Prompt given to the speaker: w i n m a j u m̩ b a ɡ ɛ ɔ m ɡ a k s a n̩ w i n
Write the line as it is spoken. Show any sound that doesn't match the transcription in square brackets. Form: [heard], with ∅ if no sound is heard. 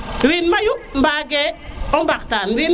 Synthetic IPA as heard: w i n m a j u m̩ b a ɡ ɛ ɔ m [b] a k [t] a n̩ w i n